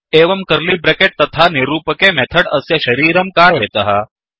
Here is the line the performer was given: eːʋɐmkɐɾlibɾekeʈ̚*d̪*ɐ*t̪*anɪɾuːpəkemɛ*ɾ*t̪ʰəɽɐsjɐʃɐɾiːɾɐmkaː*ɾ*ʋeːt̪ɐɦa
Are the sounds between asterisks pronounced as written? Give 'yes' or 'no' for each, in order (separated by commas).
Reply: no, no, no, yes